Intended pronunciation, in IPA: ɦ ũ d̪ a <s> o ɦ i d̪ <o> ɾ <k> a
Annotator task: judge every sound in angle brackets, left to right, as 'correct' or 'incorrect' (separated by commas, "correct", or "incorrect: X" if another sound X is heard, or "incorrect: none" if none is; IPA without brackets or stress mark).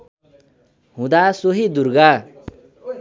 correct, incorrect: u, incorrect: ɡ